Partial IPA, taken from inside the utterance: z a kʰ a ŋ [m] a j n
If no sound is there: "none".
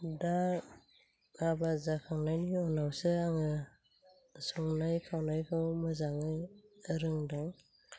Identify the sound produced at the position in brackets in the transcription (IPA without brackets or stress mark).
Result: n